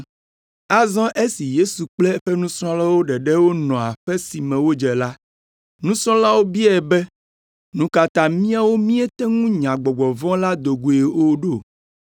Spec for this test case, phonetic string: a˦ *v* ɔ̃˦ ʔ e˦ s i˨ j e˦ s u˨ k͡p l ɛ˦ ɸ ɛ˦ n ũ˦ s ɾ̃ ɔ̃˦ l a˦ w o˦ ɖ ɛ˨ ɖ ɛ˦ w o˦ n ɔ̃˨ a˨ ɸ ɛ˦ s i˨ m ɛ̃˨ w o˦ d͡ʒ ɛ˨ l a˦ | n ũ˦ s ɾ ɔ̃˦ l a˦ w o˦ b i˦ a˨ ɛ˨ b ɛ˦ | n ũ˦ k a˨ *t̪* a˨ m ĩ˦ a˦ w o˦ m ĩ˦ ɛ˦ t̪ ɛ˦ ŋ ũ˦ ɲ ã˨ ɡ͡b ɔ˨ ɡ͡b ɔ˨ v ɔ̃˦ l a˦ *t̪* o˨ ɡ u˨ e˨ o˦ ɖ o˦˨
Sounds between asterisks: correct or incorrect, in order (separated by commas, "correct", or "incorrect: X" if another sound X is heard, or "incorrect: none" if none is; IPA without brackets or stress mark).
incorrect: z, correct, incorrect: d̪